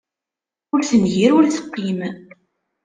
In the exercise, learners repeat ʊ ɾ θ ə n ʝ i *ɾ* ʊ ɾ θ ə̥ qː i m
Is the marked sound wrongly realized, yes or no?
no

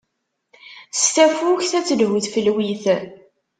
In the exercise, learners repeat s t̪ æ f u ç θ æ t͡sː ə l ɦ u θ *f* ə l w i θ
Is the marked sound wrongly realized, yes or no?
no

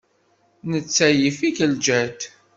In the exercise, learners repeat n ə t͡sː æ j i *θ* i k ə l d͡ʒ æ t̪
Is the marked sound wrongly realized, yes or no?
yes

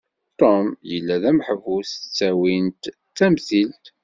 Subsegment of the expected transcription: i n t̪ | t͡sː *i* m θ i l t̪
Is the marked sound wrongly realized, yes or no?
yes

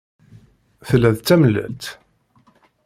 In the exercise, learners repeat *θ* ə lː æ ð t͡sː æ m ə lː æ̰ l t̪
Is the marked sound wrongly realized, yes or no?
no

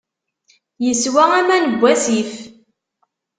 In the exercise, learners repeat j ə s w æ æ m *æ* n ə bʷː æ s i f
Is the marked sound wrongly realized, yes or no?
no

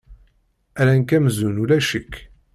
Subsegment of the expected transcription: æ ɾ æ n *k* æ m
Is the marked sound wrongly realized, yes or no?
no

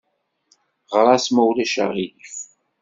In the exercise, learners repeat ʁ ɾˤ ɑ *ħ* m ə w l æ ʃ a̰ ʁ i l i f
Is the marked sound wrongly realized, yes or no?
yes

